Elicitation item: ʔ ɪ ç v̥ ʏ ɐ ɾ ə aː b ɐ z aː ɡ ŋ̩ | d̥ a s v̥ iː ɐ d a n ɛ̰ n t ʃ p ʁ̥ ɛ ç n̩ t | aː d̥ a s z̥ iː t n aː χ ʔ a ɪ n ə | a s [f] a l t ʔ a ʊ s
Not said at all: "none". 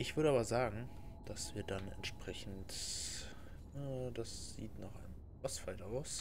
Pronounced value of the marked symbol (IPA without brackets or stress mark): f